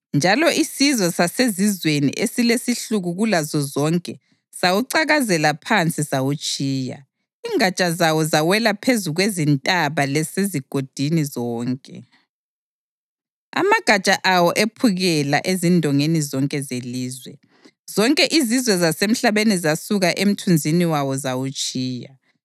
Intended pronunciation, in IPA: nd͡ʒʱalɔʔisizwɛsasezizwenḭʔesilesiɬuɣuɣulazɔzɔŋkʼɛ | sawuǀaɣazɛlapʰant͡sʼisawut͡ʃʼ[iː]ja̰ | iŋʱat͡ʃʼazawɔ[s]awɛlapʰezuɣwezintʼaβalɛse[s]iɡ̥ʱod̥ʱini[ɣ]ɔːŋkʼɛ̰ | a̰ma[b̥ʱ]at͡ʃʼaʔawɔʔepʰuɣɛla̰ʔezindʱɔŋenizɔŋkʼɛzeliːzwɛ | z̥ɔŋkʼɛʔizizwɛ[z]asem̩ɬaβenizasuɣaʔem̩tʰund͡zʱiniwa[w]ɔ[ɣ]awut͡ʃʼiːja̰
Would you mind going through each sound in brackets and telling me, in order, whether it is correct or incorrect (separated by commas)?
correct, incorrect, incorrect, incorrect, incorrect, correct, correct, incorrect